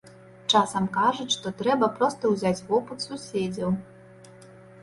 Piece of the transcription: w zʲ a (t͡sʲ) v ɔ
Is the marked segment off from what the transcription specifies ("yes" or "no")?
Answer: no